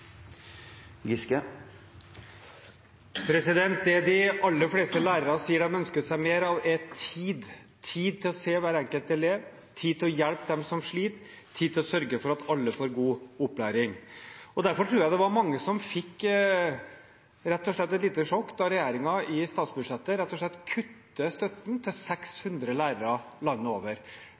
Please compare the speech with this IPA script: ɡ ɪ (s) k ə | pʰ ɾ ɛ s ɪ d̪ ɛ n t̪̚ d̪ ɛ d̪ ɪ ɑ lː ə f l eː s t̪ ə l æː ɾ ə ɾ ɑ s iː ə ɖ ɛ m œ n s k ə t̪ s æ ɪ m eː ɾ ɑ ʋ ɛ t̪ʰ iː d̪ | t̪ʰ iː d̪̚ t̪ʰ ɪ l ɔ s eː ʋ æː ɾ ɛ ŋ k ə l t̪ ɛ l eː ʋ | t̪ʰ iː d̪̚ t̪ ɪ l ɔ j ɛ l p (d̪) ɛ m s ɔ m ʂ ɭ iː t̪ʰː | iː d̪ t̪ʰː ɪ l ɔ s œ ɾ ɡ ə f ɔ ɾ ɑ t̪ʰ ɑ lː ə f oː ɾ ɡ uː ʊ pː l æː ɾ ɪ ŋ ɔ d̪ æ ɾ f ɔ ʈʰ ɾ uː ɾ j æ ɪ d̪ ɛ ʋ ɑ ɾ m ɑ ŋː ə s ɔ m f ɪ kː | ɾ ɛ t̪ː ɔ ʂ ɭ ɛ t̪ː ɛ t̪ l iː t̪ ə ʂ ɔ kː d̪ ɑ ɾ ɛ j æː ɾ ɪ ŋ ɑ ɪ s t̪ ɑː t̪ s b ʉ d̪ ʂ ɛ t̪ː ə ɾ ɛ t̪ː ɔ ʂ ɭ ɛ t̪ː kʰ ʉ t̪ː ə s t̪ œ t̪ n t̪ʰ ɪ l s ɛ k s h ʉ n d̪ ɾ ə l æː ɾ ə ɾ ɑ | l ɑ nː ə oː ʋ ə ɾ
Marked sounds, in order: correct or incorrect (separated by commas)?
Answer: correct, correct